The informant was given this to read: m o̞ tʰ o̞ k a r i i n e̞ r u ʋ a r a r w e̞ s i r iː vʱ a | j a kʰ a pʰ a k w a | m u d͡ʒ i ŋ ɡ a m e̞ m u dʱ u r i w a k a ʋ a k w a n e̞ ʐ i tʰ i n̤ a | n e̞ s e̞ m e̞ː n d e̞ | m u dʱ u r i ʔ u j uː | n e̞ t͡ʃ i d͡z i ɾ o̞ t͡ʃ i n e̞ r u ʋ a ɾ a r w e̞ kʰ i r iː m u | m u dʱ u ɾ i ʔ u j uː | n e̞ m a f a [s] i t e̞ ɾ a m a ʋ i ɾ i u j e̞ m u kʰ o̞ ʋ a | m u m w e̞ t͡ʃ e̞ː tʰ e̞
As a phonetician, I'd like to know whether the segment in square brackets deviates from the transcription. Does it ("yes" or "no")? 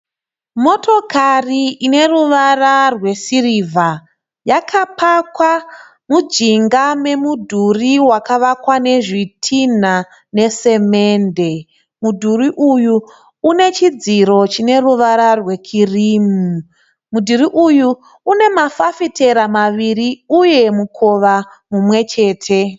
yes